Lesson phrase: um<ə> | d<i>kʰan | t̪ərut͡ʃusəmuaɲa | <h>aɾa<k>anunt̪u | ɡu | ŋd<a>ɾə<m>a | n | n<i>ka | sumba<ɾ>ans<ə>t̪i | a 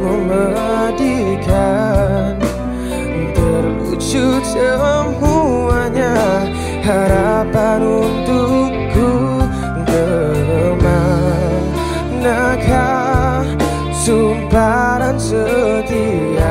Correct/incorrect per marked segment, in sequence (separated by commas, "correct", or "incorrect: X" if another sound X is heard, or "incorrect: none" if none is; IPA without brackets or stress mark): correct, correct, correct, incorrect: p, incorrect: ə, correct, incorrect: a, correct, correct